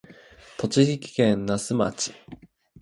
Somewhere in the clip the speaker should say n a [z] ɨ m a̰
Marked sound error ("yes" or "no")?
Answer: yes